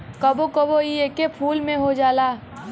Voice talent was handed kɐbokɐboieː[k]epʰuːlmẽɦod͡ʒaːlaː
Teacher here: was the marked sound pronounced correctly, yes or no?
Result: yes